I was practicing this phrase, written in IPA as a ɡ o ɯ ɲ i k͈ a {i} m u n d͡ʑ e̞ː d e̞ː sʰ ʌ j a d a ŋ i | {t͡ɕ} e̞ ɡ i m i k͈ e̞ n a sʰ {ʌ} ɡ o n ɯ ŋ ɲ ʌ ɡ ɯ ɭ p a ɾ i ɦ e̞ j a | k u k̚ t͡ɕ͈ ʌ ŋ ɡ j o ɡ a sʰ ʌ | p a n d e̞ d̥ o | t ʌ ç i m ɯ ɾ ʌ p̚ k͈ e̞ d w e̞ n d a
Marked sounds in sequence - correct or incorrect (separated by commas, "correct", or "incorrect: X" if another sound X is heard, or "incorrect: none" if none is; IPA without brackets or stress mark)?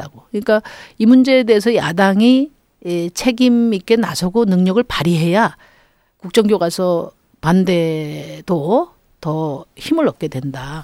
correct, incorrect: t͡ɕʰ, correct